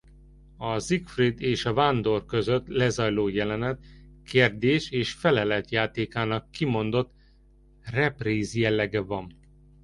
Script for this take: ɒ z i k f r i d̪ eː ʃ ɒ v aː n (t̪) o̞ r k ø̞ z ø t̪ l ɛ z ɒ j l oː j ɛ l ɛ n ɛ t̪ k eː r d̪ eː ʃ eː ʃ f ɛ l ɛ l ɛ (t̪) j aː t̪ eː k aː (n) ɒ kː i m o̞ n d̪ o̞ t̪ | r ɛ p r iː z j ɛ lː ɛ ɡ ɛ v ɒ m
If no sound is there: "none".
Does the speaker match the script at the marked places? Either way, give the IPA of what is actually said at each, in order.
d̪, t̪, n

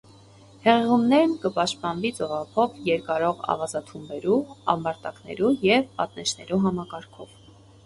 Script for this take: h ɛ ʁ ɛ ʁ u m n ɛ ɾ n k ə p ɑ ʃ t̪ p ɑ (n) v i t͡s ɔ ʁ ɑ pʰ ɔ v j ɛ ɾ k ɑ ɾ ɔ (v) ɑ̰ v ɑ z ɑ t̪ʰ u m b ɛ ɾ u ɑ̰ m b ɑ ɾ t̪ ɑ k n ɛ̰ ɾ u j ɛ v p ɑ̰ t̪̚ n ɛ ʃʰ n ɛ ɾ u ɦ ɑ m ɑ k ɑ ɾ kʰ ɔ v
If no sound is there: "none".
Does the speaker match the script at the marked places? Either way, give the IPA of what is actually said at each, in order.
n, ʁ

